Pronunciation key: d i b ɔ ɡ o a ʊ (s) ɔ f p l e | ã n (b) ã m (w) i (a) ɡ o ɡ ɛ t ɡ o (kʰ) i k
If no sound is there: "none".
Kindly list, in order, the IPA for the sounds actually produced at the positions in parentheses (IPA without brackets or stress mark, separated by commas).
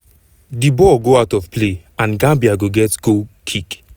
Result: t, ɡ, b, a, kʰ